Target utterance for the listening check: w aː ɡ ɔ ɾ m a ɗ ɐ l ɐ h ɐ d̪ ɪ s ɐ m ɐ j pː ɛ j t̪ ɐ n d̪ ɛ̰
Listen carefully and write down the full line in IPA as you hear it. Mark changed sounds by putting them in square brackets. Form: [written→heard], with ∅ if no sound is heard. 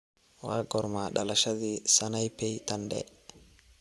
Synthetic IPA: w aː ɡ ɔ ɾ m a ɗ ɐ l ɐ [h→ʃ] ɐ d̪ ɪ s ɐ [m→n] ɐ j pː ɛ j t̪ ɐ n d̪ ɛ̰